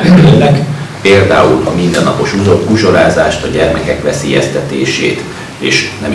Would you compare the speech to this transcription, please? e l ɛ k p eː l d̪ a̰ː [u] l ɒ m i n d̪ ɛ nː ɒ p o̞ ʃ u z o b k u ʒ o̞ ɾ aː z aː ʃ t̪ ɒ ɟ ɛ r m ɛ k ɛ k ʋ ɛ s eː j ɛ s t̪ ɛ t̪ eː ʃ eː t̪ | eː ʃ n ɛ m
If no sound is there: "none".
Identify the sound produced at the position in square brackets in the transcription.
u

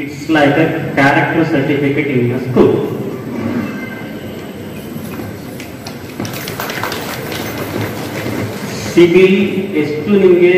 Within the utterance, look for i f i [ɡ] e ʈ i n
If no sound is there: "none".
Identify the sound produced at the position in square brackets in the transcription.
k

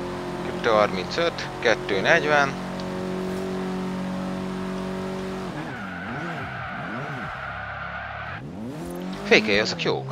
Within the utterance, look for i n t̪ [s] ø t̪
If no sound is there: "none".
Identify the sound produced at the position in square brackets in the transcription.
s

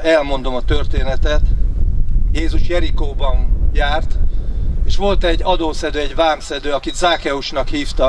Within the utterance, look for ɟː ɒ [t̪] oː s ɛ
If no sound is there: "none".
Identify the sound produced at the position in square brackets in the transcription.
d̪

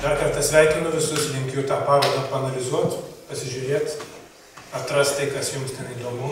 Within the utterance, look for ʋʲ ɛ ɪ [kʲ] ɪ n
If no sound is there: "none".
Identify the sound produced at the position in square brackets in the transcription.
kʲ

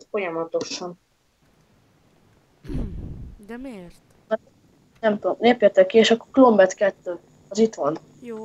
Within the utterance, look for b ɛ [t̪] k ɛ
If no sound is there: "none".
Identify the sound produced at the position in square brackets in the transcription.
t̪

